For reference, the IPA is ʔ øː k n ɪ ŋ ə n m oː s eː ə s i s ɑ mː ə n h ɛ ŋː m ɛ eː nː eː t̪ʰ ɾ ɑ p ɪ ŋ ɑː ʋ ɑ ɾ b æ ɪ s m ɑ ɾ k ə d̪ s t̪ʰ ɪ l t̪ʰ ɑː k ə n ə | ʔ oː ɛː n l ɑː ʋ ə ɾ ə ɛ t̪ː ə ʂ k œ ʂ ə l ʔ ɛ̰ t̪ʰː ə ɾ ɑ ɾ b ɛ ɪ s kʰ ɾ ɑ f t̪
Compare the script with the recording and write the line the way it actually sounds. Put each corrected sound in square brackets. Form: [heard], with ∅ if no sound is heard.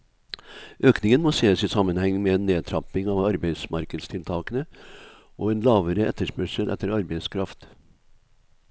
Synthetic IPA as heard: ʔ øː k n ɪ ŋ ə n m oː s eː ə s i s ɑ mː ə n h ɛ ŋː m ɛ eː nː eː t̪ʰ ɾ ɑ p ɪ ŋ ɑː ʋ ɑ ɾ b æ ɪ s m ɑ ɾ k ə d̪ s t̪ʰ ɪ l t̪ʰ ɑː k ə n ə | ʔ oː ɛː n l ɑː ʋ ə ɾ ə ɛ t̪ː ə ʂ [p] œ ʂ ə l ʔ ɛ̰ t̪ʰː ə ɾ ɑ ɾ b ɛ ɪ s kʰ ɾ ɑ f t̪